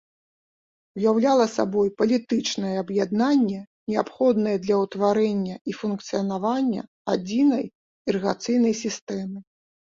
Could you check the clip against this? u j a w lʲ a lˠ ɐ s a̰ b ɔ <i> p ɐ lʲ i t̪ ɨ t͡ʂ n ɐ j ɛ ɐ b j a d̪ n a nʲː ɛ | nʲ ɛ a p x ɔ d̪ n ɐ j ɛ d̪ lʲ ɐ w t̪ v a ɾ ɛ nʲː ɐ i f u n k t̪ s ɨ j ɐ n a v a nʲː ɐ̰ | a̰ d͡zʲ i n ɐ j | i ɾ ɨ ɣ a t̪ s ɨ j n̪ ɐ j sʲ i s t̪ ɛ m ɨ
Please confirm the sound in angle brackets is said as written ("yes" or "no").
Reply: no